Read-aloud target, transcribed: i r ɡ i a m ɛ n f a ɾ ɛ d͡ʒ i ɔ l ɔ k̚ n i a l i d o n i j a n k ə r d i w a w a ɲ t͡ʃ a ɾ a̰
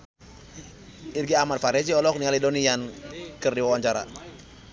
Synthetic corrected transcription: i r ɡ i a m a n f a ɾ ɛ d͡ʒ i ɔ l ɔ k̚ n i a l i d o n i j a n k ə r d i w a w a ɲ t͡ʃ a ɾ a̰